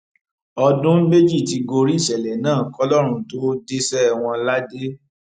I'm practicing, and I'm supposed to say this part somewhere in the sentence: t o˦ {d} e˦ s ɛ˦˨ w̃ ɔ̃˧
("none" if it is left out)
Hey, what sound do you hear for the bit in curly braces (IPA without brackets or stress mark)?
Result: d